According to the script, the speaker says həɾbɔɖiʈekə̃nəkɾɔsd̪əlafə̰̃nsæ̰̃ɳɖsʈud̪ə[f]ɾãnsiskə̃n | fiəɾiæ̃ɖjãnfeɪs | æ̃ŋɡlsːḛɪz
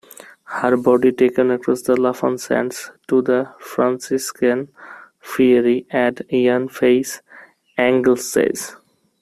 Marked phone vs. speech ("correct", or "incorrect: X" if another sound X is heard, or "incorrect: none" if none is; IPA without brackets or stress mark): correct